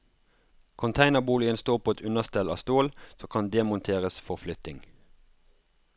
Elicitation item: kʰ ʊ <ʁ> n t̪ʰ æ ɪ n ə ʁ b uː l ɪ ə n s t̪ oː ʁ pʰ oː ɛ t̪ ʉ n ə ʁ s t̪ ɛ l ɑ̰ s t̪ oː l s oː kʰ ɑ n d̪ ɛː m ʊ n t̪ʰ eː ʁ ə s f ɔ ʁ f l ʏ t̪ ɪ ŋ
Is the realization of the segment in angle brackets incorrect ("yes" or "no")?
yes